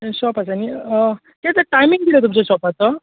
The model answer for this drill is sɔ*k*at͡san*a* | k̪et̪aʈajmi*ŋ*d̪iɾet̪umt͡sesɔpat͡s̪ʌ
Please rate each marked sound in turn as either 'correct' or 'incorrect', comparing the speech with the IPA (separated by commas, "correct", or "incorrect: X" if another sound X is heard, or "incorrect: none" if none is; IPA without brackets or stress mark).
incorrect: p, incorrect: i, correct